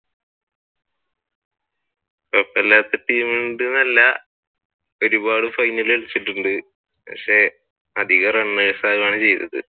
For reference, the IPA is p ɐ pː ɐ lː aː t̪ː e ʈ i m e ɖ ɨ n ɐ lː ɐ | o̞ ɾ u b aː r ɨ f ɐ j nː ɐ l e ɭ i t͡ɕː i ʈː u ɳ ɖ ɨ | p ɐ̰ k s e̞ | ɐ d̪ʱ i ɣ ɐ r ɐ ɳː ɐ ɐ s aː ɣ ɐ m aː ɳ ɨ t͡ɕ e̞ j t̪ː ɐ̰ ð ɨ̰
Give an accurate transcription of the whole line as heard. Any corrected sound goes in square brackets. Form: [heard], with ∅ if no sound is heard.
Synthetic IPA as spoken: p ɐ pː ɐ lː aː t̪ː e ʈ [iː] m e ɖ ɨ n ɐ lː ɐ | o̞ ɾ u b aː [ɽ] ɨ f ɐ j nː ɐ l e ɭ i t͡ɕː i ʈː u ɳ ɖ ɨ | p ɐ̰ k [ʂ] e̞ | ɐ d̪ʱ i ɣ ɐ r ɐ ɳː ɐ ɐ s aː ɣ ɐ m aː ɳ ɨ t͡ɕ e̞ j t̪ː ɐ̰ ð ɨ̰